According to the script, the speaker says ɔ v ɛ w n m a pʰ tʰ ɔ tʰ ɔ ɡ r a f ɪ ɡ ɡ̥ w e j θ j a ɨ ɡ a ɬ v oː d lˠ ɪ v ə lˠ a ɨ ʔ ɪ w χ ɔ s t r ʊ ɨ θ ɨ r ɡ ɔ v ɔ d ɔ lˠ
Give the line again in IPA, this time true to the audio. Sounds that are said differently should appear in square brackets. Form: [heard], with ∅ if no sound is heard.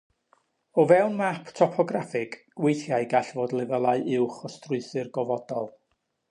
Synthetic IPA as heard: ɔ v ɛ w n m a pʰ tʰ ɔ [pʰ] ɔ ɡ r a f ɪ ɡ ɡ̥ w e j θ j a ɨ ɡ a ɬ v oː d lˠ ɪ v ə lˠ a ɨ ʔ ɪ w χ ɔ s t r ʊ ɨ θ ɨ r ɡ ɔ v ɔ d ɔ lˠ